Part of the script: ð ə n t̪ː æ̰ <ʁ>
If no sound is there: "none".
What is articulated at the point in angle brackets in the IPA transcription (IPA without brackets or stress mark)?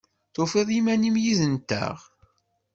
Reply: ʁ